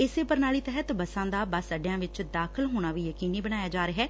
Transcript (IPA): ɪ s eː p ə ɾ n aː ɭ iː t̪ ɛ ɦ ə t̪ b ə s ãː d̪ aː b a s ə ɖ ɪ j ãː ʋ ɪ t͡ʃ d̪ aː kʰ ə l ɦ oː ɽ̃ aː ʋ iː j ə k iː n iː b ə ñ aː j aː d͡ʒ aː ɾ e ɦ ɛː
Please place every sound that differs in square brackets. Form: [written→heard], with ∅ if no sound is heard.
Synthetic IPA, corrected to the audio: ɪ s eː p ə ɾ n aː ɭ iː t̪ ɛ ɦ ə t̪ b ə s ãː d̪ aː b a s ə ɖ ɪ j ãː ʋ ɪ t͡ʃ d̪ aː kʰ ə l ɦ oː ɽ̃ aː ʋ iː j ə k iː n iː b ə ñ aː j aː d͡ʒ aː ɾ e ɦ ɛː